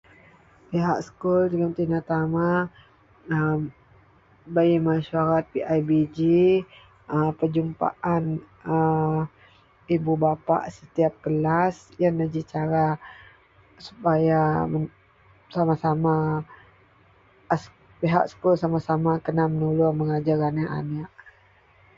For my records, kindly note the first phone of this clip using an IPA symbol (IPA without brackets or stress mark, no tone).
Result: p